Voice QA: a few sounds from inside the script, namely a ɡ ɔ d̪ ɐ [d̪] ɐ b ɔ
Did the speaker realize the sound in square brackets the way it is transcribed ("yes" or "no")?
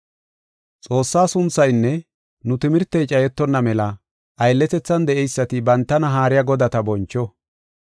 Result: no